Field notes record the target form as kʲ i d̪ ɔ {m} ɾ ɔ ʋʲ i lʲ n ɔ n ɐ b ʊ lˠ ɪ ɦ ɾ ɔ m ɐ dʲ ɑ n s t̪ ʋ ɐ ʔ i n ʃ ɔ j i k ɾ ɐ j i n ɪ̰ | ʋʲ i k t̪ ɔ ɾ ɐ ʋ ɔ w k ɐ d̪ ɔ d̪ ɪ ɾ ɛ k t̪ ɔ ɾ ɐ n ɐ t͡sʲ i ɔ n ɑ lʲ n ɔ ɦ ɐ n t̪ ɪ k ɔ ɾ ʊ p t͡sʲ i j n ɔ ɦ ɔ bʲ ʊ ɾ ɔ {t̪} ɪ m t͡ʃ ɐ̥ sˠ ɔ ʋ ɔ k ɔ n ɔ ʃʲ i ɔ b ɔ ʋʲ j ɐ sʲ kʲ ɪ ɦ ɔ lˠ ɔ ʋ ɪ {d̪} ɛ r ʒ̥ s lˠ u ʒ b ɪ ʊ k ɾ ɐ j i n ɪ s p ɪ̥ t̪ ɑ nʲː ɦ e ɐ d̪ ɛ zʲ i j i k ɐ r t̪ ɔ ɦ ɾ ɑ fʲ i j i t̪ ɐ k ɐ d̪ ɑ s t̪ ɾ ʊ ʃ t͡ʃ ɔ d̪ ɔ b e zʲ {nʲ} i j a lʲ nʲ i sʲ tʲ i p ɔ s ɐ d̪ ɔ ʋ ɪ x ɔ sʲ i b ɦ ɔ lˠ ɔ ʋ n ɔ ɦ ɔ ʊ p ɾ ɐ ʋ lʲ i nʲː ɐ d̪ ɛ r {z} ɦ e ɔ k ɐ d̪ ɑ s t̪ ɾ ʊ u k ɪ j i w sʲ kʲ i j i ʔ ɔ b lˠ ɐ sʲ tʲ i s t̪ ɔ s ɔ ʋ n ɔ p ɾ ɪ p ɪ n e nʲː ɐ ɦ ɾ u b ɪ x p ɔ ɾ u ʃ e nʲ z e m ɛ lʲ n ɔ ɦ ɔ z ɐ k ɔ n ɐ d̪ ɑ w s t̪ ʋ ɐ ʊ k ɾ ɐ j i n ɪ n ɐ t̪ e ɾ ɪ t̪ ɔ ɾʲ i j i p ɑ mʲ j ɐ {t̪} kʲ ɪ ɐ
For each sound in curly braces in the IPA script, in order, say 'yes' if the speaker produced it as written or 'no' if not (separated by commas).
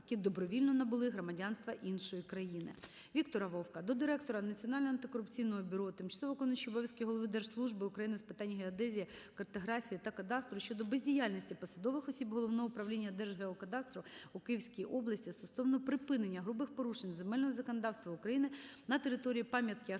no, yes, yes, no, no, yes